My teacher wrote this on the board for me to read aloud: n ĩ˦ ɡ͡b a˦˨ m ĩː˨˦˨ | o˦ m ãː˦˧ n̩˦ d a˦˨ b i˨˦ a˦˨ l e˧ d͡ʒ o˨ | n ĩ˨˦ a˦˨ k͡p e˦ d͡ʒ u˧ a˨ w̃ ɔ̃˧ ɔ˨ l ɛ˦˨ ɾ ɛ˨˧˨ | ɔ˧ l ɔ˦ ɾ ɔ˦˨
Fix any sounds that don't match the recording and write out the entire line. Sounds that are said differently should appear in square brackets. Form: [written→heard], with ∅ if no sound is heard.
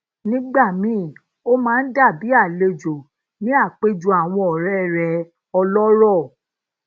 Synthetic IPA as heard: n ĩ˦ ɡ͡b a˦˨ m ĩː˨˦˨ | o˦ m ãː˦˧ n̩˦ d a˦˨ b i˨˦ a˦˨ l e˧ d͡ʒ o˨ | n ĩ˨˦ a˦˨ k͡p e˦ d͡ʒ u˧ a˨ w̃ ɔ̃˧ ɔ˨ [l→ɾ] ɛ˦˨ ɾ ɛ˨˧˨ | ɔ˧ l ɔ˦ ɾ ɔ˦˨